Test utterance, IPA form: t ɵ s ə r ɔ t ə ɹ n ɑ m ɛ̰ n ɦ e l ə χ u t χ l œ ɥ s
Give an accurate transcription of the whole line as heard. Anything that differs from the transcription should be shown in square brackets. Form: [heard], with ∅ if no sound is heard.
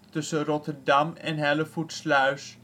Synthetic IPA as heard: t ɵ s ə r ɔ t ə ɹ [d] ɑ m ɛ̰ n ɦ [ɛ] l ə [f] u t [s] l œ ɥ s